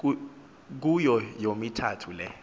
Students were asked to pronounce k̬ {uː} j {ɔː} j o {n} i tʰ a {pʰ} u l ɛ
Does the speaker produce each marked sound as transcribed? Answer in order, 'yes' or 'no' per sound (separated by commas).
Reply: no, no, no, no